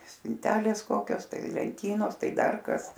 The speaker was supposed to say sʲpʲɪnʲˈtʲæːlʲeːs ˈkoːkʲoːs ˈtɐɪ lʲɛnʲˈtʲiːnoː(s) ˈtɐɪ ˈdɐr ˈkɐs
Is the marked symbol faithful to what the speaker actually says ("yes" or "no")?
yes